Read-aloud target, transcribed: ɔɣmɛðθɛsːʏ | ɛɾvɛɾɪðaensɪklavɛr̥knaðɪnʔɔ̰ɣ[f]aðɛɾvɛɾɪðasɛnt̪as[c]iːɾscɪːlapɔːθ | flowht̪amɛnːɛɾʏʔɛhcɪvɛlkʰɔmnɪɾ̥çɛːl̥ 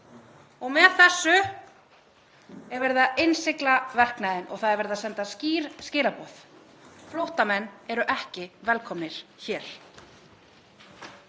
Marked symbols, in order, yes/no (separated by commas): no, yes